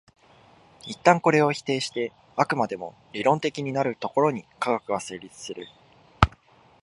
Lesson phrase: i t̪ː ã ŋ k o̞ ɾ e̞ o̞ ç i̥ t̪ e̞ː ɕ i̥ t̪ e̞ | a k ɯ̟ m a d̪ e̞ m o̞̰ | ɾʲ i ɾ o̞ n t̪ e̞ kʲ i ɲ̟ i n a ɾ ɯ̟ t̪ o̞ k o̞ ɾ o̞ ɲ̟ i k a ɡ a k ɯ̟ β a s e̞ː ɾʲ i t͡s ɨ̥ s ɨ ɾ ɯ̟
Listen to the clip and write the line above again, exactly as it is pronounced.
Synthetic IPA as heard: i t̪ː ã ŋ k o̞ ɾ e̞ o̞ ç i̥ t̪ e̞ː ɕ i̥ t̪ e̞ | a k ɯ̟ m a d̪ e̞ m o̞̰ | ɾʲ i ɾ õ̞ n t̪ e̞ kʲ i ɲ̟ i n a ɾ ɯ̟ t̪ o̞ k o̞ ɾ o̞ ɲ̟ i k a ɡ a k ɯ̟ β a s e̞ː ɾʲ i t͡s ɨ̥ s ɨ ɾ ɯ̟

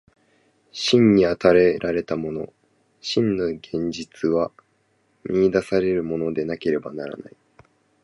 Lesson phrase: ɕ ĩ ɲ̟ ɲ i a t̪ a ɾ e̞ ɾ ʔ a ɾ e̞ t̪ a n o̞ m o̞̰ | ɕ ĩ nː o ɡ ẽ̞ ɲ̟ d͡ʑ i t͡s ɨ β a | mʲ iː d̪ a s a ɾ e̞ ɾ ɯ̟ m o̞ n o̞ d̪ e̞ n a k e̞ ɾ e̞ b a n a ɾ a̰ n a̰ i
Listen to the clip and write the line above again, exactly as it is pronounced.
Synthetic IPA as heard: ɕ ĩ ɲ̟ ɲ i a t̪ a ɾ e̞ ɾ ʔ a ɾ e̞ t̪ a m o̞ n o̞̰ | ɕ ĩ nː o ɡ ẽ̞ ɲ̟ d͡ʑ i t͡s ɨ β a | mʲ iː d̪ a s a ɾ e̞ ɾ ɯ̟ m o̞ n o̞ d̪ e̞ n a k e̞ ɾ e̞ b a n a ɾ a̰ n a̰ i

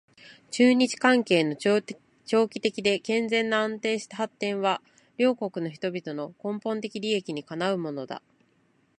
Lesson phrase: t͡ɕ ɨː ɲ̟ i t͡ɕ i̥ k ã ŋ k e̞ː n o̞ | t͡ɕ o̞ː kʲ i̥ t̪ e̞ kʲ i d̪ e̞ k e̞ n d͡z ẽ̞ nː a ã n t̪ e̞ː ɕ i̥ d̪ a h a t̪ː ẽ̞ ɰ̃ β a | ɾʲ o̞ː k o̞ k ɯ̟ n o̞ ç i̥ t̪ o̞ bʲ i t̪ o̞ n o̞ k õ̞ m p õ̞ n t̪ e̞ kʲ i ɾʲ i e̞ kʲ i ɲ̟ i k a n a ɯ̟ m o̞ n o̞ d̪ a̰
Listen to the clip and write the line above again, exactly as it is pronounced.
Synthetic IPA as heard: t͡ɕ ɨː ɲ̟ i t͡ɕ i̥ k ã ŋ k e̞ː n o̞ | t͡ɕ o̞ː kʲ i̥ t̪ e̞ kʲ i d̪ e̞ k ẽ̞ n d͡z ẽ̞ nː a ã n t̪ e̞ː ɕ i̥ t̪ a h a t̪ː ẽ̞ ɰ̃ β a | ɾʲ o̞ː k o̞ k ɯ̟ n o̞ ç i̥ t̪ o̞ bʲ i t̪ o̞ n o̞ k õ̞ m p õ̞ n t̪ e̞ kʲ i ɾʲ i e̞ kʲ i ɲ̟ i k a n a ɯ̟ m o̞ n o̞ d̪ a̰

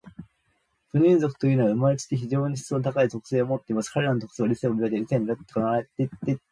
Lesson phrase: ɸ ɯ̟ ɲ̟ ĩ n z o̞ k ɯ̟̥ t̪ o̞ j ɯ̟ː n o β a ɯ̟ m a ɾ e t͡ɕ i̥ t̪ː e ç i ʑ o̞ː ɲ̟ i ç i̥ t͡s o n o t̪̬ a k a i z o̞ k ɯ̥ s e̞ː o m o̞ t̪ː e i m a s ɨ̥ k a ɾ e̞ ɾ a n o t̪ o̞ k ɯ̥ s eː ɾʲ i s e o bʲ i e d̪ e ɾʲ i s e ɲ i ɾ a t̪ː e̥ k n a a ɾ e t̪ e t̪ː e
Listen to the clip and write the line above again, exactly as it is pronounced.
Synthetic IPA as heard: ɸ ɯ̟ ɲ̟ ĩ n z o̞ k ɯ̟̥ t̪ o̞ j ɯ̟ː n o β a ɯ̟ m a ɾ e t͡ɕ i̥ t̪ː e ç i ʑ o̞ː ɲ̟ i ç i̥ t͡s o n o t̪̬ a k a i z o̞ k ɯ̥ s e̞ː o m o̞ t̪ː e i m a s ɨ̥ k a ɾ e̞ ɾ a n o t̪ o̞ k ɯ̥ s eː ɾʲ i s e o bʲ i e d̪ e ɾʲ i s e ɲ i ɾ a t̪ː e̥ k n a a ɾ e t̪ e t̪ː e

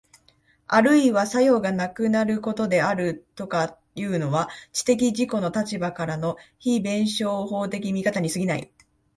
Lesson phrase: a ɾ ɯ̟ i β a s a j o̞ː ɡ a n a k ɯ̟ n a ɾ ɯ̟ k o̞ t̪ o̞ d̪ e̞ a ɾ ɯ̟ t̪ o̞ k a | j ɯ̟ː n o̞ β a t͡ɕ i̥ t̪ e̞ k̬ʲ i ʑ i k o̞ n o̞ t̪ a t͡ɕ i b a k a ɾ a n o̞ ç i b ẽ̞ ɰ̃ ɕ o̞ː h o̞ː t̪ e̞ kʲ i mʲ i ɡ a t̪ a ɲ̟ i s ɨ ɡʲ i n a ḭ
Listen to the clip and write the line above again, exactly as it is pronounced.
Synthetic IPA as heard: a ɾ ɯ̟ i β a s a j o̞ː ɡ a n a k ɯ̟ n a ɾ ɯ̟ k o̞ t̪ o̞ d̪ e̞ a ɾ ɯ̟ t̪ o̞ k a | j ɯ̟ː n o̞ β a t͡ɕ i̥ t̪ e̞ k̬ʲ i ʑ i k o̞ n o̞ t̪ a t͡ɕ i b a k a ɾ a n o̞ ç i b ẽ̞ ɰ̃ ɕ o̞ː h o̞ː t̪ e̞ kʲ i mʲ i k a t̪ a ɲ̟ i s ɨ ɡʲ i n a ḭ

